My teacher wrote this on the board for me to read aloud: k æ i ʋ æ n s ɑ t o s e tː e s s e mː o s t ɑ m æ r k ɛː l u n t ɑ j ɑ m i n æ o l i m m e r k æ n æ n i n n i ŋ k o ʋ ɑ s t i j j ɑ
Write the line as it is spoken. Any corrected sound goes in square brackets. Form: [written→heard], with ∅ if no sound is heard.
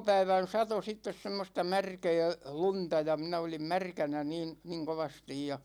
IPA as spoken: [k→p] æ i ʋ æ n s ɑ t o s [e→i] tː e s s e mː o s t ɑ m æ r k ɛː l u n t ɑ j ɑ m i n æ o l i m m [e→æ] r k æ n æ n [i→iː] n n i ŋ k o ʋ ɑ s t i j j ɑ